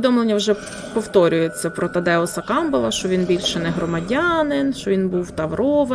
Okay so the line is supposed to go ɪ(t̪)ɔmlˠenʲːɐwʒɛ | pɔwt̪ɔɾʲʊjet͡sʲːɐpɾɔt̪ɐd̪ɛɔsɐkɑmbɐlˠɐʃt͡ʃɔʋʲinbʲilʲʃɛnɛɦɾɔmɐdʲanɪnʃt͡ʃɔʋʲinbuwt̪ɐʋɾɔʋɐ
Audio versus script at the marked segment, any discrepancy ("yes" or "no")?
yes